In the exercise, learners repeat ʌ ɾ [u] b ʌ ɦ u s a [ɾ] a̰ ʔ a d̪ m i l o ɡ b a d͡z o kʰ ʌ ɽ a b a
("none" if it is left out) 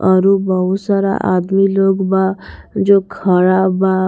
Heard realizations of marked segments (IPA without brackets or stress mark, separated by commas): u, ɾ